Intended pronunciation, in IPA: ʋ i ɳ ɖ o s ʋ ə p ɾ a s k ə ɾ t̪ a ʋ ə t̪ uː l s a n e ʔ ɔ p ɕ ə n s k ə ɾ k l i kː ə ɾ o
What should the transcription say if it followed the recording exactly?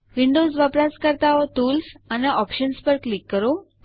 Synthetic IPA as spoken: ʋ i ɳ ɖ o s ʋ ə p ɾ a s k ə ɾ t̪ a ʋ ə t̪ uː l s a n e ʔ ɔ p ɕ ə n s p ə ɾ k l i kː ə ɾ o